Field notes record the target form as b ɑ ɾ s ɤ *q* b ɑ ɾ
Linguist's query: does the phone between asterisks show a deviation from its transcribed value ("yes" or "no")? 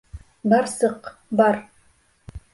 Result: no